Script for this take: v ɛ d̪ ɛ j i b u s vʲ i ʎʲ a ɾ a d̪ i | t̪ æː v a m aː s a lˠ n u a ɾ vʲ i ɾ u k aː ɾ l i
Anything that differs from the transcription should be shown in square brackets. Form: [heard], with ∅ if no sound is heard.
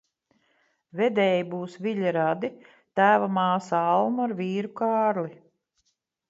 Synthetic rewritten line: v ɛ d̪ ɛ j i b [uː] s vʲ i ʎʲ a ɾ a d̪ i | t̪ æː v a m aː s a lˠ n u a ɾ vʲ [iː] ɾ u k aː ɾ l i